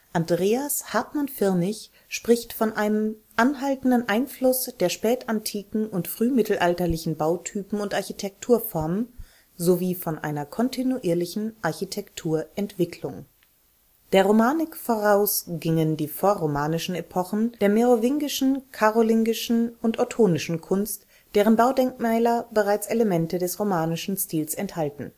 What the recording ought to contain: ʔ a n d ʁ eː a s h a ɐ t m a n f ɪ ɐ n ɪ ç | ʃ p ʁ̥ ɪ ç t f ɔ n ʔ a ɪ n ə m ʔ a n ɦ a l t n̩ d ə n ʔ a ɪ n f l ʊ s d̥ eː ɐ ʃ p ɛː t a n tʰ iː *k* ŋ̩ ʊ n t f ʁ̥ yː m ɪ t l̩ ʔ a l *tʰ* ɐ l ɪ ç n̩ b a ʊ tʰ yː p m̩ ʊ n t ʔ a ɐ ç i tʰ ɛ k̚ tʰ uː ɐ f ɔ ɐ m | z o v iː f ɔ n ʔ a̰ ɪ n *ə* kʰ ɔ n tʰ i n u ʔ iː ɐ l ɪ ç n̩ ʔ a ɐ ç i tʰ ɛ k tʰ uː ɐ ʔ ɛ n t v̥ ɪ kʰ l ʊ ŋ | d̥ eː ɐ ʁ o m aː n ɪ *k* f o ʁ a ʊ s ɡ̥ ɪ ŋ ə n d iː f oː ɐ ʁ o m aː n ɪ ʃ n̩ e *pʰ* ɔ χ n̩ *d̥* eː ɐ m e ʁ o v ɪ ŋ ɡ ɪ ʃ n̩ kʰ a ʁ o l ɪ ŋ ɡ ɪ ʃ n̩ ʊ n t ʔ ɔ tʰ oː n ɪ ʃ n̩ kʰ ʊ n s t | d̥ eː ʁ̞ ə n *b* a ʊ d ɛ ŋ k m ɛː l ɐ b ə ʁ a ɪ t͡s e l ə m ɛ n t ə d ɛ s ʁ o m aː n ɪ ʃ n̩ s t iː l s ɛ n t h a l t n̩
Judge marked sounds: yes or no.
yes, no, no, yes, yes, yes, yes

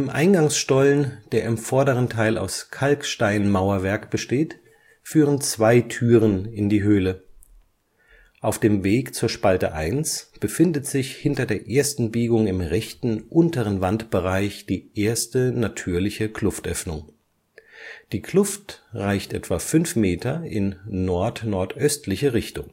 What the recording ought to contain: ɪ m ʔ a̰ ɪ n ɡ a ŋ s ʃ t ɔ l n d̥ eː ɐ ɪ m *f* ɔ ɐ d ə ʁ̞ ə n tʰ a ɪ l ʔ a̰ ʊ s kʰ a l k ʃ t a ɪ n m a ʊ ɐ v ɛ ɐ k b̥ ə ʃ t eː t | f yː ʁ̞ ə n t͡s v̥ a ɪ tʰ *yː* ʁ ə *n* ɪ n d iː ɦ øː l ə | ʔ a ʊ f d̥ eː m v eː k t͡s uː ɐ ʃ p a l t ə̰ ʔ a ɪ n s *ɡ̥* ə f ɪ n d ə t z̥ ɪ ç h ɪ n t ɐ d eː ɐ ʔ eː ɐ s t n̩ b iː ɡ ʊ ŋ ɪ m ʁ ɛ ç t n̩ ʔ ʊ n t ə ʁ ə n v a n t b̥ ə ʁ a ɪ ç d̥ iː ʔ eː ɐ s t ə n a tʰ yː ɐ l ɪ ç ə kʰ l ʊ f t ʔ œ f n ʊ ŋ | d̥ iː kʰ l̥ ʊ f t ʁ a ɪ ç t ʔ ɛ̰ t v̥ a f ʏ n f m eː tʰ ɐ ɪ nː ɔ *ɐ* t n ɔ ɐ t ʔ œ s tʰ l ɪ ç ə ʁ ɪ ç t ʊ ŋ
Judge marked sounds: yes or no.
yes, yes, yes, no, yes

